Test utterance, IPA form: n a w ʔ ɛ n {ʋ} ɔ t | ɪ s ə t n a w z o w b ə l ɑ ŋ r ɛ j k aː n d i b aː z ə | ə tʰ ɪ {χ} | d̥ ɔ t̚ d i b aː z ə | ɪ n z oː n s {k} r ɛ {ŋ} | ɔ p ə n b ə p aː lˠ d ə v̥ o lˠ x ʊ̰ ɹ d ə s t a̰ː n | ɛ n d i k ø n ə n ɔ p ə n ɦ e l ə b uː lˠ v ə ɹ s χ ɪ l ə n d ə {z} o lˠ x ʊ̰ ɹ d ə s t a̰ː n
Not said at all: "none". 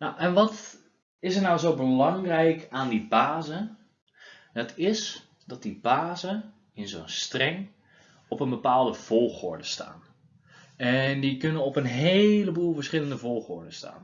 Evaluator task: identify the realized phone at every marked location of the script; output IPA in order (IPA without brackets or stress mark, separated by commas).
ʋ, s, t, ŋ, v